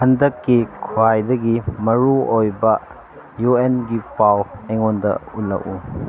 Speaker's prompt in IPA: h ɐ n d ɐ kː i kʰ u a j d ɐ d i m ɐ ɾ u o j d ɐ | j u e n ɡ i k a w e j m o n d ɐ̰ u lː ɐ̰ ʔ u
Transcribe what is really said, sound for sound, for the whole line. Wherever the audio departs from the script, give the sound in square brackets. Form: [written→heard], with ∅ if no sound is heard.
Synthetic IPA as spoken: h ɐ n d ɐ kː i kʰ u a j d ɐ [d→ɡ] i m ɐ ɾ u o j [d→b] ɐ | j u e n ɡ i [k→p] a w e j [m→ŋ] o n d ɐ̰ u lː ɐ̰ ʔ u